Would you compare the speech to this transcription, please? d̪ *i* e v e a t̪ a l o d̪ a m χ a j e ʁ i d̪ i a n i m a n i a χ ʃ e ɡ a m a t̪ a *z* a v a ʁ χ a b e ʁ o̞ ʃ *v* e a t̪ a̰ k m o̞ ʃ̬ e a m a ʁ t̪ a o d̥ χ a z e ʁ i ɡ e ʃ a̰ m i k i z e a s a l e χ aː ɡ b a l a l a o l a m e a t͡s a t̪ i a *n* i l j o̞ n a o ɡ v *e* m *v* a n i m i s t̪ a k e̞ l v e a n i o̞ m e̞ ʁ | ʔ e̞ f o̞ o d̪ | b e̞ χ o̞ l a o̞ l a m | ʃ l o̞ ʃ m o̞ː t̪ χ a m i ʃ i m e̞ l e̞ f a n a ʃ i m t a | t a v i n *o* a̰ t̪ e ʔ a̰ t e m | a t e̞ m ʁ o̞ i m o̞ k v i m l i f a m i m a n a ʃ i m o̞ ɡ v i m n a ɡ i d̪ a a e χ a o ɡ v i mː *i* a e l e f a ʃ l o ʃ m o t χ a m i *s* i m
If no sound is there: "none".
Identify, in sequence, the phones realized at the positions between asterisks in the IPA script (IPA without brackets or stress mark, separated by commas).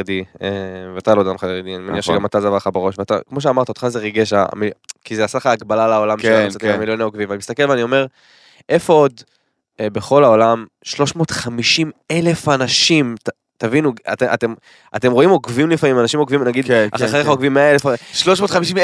i, z, v, m, i, v, u, e, ʃ